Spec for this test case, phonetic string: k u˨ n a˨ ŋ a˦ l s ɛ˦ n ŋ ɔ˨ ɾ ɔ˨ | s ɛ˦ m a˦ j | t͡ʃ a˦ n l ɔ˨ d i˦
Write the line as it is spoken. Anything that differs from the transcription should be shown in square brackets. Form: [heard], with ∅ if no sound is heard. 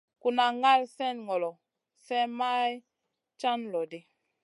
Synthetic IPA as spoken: k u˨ n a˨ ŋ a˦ l s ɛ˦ n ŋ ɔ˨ [l] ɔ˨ | s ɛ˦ m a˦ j | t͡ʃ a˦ n l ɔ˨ d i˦

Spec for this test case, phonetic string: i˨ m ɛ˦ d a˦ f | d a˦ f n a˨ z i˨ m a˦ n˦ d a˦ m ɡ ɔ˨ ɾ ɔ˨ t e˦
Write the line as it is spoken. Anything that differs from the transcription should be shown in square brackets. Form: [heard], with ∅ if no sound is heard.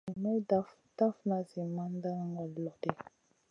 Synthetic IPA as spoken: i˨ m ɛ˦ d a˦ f | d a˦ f n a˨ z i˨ m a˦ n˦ d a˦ [ŋ] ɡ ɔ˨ [l] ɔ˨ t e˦

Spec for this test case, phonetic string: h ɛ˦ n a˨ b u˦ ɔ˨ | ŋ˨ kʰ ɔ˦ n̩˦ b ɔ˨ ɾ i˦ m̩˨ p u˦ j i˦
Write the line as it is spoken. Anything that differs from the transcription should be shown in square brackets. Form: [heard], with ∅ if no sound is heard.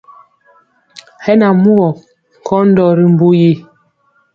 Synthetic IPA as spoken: h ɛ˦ n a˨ [m] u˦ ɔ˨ | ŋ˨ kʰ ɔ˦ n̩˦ [d] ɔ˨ ɾ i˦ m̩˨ [b] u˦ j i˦

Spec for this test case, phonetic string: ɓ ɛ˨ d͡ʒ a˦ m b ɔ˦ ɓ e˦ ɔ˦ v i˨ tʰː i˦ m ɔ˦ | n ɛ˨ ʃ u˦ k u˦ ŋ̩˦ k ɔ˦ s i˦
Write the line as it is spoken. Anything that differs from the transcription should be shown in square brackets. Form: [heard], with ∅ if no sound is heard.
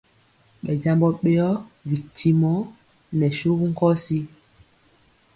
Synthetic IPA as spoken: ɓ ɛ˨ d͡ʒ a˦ m b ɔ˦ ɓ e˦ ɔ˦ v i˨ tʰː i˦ m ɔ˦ | n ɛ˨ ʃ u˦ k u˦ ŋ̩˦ k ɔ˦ s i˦

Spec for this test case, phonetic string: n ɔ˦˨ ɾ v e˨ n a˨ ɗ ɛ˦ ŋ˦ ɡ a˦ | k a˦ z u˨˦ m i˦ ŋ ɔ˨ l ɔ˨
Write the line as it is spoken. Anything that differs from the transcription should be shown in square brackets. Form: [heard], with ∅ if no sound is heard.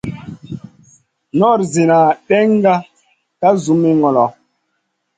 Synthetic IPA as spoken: n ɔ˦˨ ɾ [z] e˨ n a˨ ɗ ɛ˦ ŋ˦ ɡ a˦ | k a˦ z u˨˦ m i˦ ŋ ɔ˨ l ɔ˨

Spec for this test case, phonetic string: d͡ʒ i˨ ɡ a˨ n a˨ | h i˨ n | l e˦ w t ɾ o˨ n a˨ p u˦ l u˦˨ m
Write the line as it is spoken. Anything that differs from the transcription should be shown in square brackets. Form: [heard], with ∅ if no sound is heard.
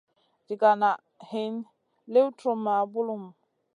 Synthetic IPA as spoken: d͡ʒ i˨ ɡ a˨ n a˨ | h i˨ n | l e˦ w t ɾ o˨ [m] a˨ [b] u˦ l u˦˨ m

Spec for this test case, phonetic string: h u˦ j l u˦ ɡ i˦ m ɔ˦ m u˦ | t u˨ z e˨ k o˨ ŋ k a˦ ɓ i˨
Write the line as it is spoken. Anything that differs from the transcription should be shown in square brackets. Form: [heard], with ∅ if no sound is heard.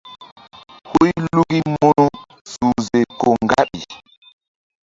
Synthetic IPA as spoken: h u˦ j l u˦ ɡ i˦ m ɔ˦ [n] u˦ | [s] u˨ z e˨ k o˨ ŋ [ɡ] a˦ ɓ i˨

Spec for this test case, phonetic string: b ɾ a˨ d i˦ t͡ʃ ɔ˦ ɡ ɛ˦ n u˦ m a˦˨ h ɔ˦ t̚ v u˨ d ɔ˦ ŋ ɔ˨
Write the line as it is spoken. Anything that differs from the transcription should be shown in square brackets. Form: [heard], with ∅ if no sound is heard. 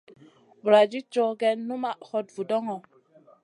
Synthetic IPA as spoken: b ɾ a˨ [d͡ʒ] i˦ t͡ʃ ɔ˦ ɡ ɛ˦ n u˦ m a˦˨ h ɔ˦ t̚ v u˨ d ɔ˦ ŋ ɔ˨

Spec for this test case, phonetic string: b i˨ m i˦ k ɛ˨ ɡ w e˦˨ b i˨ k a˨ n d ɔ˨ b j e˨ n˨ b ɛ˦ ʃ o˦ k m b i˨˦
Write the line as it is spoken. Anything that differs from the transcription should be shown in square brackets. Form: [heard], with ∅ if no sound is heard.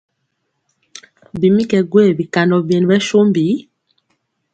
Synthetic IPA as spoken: b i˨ m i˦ k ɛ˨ ɡ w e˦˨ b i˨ k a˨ n d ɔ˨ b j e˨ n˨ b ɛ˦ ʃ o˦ [∅] m b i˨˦

